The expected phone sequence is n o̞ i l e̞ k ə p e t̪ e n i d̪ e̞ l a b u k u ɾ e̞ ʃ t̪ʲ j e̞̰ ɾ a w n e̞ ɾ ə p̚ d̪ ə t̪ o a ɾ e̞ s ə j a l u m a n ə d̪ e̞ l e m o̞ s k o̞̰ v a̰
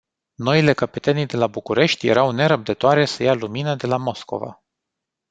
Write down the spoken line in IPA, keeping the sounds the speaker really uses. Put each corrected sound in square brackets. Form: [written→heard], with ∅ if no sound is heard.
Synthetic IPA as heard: n o̞ i l e̞ k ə p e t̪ e n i d̪ e̞ l a b u k u ɾ e̞ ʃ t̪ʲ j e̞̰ ɾ a w n e̞ ɾ ə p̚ d̪ ə t̪ o a ɾ e̞ s ə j a l u m [a→i] n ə d̪ e̞ l [e→a] m o̞ s k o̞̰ v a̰